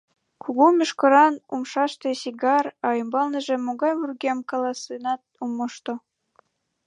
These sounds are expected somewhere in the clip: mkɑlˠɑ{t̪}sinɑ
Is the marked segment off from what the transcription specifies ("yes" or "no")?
yes